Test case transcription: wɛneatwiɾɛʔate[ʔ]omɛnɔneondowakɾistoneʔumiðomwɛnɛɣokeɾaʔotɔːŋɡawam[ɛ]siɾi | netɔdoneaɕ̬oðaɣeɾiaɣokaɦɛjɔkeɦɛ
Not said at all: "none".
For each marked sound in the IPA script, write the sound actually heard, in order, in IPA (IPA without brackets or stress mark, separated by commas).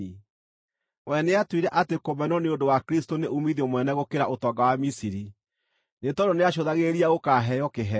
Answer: k, i